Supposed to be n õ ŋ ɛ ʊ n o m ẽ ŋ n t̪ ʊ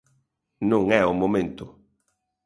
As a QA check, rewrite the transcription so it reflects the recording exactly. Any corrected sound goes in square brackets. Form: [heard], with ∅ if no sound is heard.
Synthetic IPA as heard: n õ ŋ ɛ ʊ [m] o m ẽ [∅] n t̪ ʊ